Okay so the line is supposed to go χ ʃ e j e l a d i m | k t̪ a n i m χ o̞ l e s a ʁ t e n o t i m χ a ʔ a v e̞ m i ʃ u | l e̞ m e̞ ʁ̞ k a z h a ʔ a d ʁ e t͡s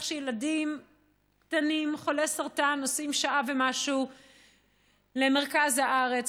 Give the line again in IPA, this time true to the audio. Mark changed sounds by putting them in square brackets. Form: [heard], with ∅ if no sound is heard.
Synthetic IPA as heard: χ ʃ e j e l a d i m | k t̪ a n i m χ o̞ l e s a ʁ t [a] n o [s] i m [ʃ] a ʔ a v e̞ m [a] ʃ u | l e̞ m e̞ ʁ̞ k a z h a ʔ a [∅] ʁ e t͡s